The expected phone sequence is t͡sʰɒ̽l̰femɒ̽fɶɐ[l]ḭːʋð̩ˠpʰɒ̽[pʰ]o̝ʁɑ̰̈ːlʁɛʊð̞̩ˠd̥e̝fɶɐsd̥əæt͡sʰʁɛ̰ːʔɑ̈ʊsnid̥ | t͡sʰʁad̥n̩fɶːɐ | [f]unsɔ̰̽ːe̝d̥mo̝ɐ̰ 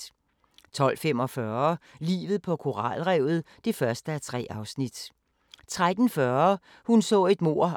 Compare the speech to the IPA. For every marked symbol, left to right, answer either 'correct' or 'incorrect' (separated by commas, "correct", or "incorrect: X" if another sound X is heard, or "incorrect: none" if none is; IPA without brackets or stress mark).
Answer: correct, incorrect: kʰ, incorrect: h